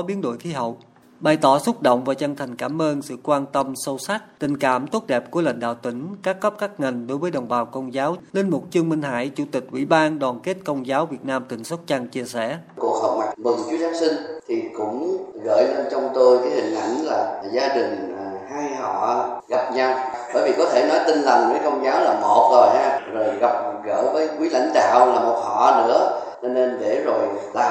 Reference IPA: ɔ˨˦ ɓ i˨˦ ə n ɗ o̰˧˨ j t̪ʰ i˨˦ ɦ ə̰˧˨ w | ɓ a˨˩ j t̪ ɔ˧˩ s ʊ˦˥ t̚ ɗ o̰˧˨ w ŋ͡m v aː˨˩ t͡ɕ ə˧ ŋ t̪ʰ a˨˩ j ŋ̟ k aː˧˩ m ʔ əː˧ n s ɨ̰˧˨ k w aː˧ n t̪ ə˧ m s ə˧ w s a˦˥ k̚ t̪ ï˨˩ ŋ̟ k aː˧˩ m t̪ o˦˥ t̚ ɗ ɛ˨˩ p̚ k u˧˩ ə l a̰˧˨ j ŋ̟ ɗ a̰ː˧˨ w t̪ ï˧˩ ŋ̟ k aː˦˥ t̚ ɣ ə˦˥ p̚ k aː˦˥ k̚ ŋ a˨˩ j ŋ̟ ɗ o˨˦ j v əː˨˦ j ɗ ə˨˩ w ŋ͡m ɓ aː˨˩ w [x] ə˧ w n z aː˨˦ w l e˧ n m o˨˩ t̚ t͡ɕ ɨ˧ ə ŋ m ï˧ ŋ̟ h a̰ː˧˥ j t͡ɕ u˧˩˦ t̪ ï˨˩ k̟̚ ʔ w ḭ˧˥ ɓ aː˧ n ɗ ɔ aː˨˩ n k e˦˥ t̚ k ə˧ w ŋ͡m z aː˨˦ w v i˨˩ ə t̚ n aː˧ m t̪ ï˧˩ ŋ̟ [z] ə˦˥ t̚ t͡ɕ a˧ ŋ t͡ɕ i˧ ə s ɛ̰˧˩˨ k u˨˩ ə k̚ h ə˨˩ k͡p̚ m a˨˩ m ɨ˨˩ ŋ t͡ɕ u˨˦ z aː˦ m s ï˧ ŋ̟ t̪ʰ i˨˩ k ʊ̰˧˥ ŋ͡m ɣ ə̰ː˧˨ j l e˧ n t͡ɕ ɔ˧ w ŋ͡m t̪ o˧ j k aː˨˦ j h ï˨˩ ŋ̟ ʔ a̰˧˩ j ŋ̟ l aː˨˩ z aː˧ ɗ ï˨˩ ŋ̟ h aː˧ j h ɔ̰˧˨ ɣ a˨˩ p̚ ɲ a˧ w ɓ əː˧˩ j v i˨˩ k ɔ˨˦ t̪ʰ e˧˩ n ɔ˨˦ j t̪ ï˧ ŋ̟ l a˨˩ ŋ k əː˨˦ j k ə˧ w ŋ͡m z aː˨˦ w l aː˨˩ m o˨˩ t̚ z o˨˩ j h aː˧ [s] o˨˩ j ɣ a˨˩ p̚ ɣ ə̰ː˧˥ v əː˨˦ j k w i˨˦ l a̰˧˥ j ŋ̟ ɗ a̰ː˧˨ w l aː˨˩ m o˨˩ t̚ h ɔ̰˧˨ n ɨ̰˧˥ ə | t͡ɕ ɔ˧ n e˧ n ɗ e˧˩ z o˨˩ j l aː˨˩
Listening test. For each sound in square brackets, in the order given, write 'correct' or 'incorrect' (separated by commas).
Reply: incorrect, incorrect, incorrect